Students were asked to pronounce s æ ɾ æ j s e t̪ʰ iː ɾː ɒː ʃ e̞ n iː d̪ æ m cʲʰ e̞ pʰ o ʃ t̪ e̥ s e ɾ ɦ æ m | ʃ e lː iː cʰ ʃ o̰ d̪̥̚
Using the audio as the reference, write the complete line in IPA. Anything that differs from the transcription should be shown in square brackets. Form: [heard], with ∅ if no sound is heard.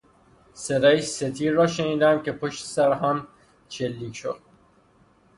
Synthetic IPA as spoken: s [e] ɾ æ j s e t̪ʰ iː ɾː ɒː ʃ e̞ n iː d̪ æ m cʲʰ e̞ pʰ o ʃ t̪ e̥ s [æ] ɾ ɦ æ m | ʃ e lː iː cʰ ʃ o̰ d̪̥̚